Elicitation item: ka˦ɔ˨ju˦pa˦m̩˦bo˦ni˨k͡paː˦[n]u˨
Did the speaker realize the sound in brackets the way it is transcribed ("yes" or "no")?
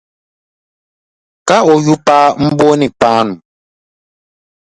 yes